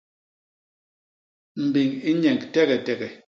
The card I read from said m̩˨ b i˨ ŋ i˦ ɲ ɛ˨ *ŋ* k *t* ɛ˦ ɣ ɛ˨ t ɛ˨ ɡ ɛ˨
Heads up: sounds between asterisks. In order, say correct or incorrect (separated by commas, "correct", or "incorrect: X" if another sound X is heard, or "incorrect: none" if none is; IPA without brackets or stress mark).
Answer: correct, correct